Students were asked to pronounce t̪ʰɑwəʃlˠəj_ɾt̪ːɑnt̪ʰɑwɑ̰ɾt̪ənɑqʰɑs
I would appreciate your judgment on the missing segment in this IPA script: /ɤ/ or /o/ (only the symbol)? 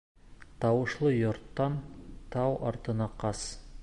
o